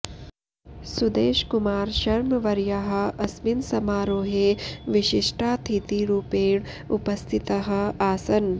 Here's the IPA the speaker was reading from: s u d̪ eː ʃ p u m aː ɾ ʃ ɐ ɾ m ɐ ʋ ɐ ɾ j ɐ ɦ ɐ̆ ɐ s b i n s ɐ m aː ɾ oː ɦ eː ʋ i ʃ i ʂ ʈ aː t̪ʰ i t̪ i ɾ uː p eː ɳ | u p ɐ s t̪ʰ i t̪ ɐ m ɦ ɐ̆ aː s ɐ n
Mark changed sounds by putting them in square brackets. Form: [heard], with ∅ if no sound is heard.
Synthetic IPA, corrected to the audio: s u d̪ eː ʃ [k] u m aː ɾ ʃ ɐ ɾ m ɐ ʋ ɐ ɾ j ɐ ɦ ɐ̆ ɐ s [m] i n s ɐ m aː ɾ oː ɦ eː ʋ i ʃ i ʂ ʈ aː t̪ʰ i t̪ i ɾ uː p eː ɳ | u p ɐ s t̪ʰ i t̪ ɐ [∅] ɦ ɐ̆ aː s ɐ n